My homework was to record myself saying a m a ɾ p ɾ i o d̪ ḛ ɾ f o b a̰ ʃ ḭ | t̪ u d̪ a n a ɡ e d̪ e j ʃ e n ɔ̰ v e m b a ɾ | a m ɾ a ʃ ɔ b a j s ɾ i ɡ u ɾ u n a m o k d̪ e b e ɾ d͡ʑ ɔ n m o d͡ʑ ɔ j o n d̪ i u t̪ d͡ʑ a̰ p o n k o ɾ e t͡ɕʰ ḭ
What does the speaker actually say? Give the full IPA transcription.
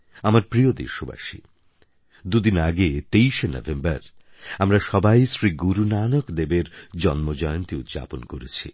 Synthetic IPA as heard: a m a ɾ p ɾ i o d̪ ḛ ɾ ʃ o b a̰ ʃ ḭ | d̪ u d̪ i n a ɡ e t̪ e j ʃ e n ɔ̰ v e m b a ɾ | a m ɾ a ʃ ɔ b a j s ɾ i ɡ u ɾ u n a n o k d̪ e b e ɾ d͡ʑ ɔ n m o d͡ʑ ɔ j o n t̪ i u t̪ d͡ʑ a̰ p o n k o ɾ e t͡ɕʰ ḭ